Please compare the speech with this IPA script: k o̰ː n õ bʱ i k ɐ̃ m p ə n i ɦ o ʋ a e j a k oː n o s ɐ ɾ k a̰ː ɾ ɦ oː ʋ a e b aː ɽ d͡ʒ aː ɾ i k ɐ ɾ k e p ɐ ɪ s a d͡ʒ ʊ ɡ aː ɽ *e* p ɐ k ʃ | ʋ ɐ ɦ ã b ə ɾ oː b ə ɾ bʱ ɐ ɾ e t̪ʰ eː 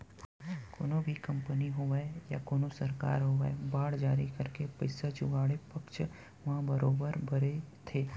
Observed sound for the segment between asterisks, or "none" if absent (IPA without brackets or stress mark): e